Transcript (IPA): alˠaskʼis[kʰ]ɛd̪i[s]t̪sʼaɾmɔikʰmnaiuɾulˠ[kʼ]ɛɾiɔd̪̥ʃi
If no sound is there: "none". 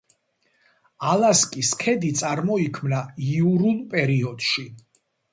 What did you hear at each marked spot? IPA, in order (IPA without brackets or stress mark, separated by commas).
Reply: kʰ, none, pʼ